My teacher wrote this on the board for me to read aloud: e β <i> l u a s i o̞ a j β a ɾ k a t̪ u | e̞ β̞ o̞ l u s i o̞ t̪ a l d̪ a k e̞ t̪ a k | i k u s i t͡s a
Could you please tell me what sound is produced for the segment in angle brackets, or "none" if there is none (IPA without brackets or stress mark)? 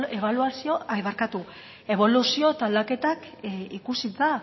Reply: a